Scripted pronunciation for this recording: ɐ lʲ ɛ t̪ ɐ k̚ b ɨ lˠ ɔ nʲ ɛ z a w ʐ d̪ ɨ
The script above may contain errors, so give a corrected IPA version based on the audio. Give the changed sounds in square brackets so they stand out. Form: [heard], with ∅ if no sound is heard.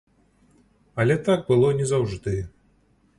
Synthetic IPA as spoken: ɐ lʲ ɛ t̪ [a] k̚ b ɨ lˠ ɔ nʲ ɛ z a w ʐ d̪ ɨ

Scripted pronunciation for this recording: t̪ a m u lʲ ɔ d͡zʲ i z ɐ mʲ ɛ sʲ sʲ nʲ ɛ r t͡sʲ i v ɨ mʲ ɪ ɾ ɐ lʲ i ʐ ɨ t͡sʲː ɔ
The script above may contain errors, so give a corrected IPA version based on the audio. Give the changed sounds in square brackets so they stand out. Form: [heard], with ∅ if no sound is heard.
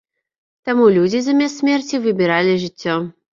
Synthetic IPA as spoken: t̪ a m u lʲ [u] d͡zʲ i z ɐ mʲ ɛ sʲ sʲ [mʲ] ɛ r t͡sʲ i v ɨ [bʲ] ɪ ɾ [a] lʲ i ʐ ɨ t͡sʲː ɔ

